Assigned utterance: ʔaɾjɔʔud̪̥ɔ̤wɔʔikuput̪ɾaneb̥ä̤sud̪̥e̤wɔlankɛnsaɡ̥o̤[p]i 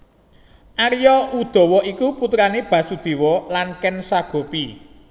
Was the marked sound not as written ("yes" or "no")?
no